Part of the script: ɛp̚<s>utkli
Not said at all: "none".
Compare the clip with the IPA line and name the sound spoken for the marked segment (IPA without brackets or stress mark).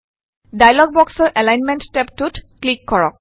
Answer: t